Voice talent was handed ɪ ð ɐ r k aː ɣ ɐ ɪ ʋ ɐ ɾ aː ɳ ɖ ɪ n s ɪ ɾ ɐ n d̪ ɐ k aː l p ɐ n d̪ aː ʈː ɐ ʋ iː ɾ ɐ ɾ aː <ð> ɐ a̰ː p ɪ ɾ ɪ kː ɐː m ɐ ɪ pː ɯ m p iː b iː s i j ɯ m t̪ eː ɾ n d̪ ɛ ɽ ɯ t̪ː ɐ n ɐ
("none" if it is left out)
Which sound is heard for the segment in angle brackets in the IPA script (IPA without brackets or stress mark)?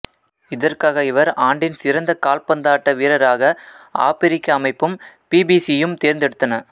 ɣ